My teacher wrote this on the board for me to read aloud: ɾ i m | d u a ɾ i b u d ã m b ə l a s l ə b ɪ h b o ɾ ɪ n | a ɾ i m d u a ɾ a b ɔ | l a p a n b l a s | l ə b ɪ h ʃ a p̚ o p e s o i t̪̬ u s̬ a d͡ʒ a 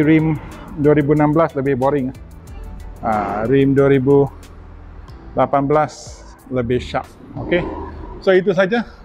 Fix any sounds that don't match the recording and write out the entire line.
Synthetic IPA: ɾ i m | d u a ɾ i b u n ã m b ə l a s l ə b ɪ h b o ɾ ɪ ŋ | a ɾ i m d u a ɾ i b u | l a p a n b l a s | l ə b ɪ h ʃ a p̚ o k e s o i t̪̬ u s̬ a d͡ʒ a